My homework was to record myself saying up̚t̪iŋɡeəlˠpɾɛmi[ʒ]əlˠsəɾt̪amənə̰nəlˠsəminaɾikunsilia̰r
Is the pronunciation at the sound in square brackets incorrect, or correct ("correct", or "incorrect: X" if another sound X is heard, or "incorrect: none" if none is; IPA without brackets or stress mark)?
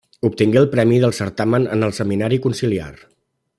incorrect: ð